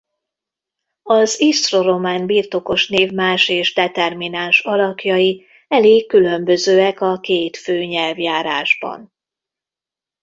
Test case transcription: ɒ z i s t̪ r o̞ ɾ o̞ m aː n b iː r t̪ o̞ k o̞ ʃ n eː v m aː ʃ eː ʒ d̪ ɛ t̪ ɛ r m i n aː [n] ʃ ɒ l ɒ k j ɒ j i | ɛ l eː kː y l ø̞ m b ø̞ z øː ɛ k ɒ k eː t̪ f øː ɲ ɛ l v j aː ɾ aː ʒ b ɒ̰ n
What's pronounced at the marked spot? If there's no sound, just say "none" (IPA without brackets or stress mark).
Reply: n